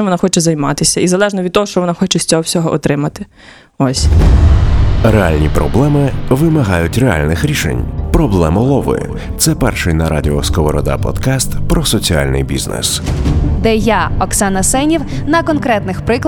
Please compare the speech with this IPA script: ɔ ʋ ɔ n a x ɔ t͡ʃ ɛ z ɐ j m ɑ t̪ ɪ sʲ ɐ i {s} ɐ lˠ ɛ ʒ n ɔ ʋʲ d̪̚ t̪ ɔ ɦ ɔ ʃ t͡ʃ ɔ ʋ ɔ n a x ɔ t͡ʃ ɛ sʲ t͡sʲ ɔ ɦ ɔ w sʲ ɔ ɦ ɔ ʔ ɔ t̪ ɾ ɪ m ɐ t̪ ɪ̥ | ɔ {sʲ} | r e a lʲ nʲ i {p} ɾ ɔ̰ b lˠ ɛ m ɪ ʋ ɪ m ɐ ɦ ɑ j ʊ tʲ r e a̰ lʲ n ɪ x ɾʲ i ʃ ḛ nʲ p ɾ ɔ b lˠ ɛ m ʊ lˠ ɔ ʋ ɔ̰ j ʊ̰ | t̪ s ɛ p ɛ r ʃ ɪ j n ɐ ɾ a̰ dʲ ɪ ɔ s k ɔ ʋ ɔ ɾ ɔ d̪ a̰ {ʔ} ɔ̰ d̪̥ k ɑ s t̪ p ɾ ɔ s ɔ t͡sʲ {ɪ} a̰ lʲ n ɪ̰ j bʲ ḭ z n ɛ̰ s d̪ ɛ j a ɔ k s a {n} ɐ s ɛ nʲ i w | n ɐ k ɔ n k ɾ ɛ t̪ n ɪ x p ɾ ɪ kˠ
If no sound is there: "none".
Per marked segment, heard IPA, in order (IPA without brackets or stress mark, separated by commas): z, sʲ, p, p, i, n